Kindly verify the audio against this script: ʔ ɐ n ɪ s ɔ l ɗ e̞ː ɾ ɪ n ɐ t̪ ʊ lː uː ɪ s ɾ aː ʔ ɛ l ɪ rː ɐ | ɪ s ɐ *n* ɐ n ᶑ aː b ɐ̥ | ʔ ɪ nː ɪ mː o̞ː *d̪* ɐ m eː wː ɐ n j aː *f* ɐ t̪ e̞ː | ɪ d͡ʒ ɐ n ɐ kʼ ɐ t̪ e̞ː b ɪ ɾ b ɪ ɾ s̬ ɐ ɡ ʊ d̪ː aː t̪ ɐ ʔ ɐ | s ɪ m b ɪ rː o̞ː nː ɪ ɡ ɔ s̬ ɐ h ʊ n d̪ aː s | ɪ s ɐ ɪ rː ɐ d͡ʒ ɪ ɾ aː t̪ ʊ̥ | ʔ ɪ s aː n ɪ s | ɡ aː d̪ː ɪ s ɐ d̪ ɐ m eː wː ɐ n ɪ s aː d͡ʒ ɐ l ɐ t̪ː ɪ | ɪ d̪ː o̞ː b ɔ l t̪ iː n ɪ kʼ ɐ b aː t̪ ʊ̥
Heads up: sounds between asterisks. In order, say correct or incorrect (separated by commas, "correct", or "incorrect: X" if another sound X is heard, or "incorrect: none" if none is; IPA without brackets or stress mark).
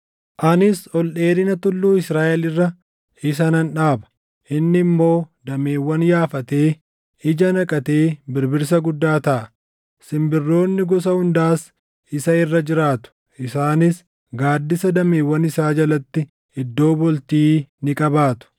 correct, correct, correct